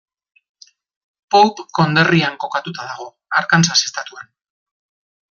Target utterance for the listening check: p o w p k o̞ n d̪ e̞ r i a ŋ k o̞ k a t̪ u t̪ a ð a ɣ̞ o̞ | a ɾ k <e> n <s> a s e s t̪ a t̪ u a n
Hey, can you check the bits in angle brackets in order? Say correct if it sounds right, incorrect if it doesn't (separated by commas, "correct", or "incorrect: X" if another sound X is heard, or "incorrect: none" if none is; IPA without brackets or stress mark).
incorrect: a, correct